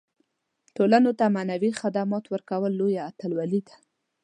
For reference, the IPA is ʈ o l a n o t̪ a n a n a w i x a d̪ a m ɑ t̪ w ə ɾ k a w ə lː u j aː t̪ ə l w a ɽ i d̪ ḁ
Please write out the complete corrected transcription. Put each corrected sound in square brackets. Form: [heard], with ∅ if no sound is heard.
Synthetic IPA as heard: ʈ o l a n o t̪ a [m] a n a w i x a d̪ a m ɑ t̪ w ə ɾ k a w ə lː [o] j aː t̪ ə l w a [l] i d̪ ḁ